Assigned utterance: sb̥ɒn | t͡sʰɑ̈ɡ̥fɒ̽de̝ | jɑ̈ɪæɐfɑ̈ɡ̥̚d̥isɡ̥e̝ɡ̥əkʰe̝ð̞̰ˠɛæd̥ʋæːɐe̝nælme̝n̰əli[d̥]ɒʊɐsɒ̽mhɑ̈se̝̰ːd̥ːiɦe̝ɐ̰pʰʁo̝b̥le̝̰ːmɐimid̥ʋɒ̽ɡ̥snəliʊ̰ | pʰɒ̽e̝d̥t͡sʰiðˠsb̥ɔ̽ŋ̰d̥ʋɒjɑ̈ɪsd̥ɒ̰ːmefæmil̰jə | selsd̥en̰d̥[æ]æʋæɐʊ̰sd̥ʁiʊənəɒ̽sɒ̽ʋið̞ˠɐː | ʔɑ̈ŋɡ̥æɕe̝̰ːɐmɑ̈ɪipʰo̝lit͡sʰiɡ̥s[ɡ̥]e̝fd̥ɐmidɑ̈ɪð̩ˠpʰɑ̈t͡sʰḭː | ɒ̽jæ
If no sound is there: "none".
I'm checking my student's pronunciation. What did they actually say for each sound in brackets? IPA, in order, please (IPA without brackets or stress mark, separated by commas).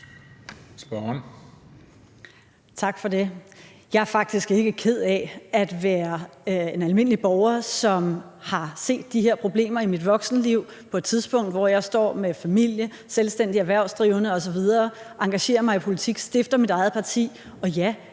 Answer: b̥, i, d̥